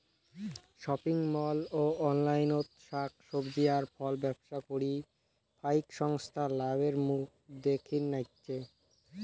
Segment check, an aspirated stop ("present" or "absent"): present